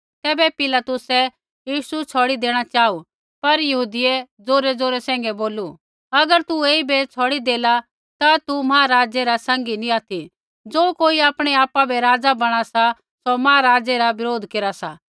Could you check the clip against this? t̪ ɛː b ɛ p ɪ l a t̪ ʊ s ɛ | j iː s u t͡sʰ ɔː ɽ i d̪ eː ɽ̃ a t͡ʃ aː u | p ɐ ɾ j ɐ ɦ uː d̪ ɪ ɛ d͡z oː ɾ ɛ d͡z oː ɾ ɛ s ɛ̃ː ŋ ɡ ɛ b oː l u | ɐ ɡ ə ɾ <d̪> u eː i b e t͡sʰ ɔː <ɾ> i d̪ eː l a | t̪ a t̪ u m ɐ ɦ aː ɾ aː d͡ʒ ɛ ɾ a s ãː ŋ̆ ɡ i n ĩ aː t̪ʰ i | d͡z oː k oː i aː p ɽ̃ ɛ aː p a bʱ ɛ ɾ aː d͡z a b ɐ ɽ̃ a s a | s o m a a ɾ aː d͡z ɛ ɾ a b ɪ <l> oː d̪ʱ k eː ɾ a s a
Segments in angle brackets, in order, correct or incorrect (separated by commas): incorrect, incorrect, incorrect